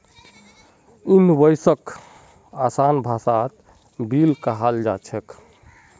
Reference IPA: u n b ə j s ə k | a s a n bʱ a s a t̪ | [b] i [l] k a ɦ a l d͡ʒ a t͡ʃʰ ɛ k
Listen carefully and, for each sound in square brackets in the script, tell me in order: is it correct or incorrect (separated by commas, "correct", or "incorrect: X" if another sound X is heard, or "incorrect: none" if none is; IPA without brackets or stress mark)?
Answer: correct, correct